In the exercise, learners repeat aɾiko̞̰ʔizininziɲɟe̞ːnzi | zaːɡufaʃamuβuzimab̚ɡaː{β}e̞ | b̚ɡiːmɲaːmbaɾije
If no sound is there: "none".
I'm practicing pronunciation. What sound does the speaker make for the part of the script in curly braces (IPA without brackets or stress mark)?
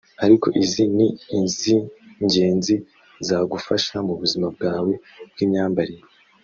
w